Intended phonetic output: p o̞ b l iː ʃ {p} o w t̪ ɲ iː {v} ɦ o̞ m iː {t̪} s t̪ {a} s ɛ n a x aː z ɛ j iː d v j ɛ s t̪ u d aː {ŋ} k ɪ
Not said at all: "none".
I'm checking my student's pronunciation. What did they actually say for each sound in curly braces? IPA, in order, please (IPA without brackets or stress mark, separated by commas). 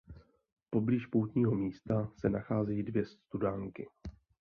p, none, none, a, ŋ